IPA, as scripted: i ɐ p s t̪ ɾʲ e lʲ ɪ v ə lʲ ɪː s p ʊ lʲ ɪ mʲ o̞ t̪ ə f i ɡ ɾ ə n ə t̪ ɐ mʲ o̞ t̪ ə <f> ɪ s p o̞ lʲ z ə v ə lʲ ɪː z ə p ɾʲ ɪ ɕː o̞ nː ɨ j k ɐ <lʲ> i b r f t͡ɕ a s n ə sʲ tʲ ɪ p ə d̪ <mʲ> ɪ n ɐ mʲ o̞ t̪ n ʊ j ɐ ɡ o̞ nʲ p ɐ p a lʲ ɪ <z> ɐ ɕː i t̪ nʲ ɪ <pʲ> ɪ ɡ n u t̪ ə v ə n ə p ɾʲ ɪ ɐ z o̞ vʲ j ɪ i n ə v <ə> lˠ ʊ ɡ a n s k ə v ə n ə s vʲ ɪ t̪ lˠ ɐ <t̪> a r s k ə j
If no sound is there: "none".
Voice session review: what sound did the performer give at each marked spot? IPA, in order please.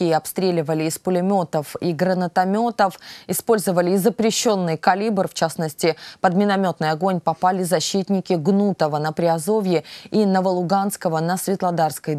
f, lʲ, mʲ, z, kʲ, ə, d̪

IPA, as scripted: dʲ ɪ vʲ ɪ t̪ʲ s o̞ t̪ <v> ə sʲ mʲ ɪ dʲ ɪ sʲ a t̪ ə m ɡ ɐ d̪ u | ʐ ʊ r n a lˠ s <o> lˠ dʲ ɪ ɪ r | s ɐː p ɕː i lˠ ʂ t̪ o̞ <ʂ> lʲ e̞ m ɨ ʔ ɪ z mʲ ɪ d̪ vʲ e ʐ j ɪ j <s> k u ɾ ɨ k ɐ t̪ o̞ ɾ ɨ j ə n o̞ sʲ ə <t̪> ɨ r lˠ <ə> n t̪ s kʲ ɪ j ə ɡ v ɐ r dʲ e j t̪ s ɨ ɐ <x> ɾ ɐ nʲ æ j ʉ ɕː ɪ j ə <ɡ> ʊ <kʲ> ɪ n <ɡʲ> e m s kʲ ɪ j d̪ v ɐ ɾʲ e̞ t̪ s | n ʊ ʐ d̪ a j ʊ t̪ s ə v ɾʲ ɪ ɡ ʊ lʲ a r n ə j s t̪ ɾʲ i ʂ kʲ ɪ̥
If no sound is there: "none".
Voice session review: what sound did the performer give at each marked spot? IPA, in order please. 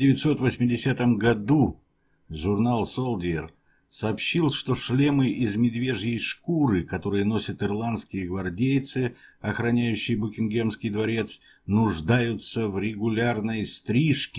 v, o, ʂ, ʂ, t̪, a, x, b, kʲ, ɡʲ

